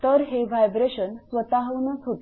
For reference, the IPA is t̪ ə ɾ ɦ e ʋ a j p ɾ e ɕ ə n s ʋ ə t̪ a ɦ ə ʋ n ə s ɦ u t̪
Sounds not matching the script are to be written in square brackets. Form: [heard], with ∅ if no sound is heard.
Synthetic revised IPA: t̪ ə ɾ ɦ e ʋ a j [b] ɾ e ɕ ə n s ʋ ə t̪ a ɦ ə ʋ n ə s ɦ [o] t̪